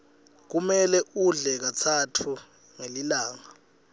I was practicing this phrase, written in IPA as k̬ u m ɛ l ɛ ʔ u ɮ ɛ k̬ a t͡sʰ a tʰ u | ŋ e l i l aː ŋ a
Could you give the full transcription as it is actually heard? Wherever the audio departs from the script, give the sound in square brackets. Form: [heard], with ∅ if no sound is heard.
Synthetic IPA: k̬ u m ɛ l ɛ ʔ u ɮ ɛ k̬ a t͡sʰ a tʰ u | ŋ e l i l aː ŋ a

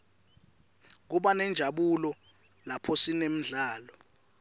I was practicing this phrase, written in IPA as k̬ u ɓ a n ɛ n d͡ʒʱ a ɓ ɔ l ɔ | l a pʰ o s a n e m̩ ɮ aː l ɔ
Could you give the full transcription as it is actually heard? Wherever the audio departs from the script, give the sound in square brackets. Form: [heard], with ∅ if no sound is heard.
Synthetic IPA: k̬ u ɓ a n ɛ n d͡ʒʱ a ɓ [u] l ɔ | l a pʰ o s [i] n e m̩ ɮ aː l ɔ

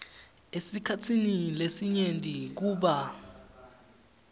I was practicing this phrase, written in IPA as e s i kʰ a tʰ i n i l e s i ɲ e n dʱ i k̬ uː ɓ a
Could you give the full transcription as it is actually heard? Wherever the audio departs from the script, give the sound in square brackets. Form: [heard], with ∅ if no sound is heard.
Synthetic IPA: e s i kʰ a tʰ i n i l e s i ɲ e n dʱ i k̬ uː ɓ a

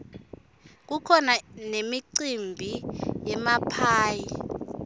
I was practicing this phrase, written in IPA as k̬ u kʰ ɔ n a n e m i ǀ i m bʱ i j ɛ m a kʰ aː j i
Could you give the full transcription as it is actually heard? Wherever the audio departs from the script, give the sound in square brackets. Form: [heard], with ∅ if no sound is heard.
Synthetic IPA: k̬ u kʰ ɔ n a n e m i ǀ i m bʱ i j ɛ m a [pʰ] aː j i

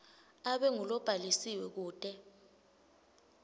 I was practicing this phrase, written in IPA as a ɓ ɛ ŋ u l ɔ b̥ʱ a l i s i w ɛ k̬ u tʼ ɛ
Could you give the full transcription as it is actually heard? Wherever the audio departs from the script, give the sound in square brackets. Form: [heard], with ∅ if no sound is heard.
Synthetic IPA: a ɓ ɛ ŋ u l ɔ b̥ʱ a l i s i w ɛ k̬ [uː] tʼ ɛ

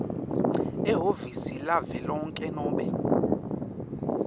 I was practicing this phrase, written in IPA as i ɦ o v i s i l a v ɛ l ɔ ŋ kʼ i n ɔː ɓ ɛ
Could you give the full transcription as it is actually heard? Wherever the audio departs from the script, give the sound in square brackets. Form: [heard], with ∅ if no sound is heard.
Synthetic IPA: [ɛ] ɦ o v i s i l a v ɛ l ɔ ŋ kʼ [ɛ] n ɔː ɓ ɛ

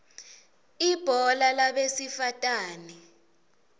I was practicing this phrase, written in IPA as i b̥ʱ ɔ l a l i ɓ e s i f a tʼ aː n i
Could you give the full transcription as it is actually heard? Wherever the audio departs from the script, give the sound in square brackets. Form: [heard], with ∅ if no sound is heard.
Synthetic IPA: i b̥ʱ ɔ l a l [a] ɓ e s i f a tʼ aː n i

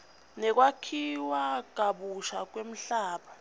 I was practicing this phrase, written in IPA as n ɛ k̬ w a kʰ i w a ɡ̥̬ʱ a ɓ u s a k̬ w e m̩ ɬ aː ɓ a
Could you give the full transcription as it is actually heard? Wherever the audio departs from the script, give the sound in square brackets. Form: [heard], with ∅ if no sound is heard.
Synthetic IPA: n ɛ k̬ w a kʰ i w a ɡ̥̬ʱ a ɓ u [ʃ] a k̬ w e m̩ ɬ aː ɓ a

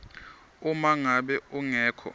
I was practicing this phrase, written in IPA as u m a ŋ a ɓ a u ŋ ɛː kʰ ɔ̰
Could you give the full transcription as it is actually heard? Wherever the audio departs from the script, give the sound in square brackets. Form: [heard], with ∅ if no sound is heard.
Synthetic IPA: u m a ŋ a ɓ [ɛ] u ŋ ɛː kʰ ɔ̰

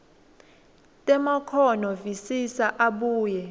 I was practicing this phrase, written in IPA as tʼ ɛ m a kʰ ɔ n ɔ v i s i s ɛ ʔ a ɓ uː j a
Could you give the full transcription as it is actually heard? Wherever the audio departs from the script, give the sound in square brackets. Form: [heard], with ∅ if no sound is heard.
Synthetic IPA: tʼ ɛ m a kʰ ɔ n ɔ v i s i s [a] ʔ a ɓ uː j [ɛ]

